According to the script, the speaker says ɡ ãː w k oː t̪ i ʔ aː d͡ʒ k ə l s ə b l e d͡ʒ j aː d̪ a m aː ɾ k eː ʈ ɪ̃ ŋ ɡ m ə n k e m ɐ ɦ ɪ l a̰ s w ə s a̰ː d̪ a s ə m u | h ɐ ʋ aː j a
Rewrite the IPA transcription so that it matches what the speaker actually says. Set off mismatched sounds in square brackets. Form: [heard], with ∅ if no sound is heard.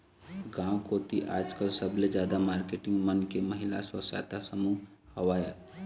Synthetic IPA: ɡ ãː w k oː t̪ i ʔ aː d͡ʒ k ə l s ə b l e d͡ʒ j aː d̪ a m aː ɾ k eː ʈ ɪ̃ ŋ ɡ m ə n k e m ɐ ɦ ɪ l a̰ s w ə s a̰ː [t̪] a s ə m u | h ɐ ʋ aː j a